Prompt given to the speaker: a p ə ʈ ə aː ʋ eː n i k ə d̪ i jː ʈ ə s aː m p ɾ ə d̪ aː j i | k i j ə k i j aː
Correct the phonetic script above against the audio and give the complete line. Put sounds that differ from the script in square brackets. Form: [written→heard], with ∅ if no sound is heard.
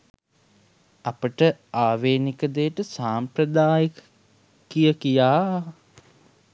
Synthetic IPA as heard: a p ə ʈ ə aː ʋ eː n i k ə d̪ [i→e] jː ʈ ə s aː m p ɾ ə d̪ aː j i | k i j ə k i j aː